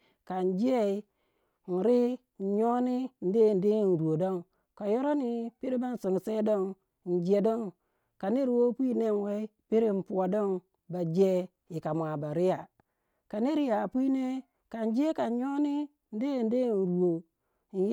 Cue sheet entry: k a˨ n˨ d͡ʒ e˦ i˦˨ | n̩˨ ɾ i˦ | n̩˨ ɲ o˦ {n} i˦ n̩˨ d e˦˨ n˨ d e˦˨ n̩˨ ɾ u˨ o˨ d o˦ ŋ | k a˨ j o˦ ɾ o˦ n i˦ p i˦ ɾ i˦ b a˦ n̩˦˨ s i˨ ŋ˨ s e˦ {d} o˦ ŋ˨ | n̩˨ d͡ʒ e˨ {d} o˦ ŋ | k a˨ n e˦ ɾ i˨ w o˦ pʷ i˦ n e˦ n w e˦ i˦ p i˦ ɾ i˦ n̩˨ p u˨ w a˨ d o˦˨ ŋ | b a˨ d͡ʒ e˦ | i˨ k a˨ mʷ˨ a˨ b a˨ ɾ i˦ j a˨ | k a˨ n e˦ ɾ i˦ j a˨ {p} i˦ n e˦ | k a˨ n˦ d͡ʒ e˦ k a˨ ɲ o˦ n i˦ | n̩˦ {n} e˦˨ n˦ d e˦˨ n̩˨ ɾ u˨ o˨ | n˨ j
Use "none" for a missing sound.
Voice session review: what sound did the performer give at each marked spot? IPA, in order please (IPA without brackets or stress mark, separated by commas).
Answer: n, d, d, p, d